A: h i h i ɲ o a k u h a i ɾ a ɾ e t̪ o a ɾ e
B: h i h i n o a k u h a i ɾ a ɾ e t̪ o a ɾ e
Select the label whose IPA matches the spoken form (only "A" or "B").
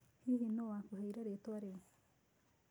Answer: B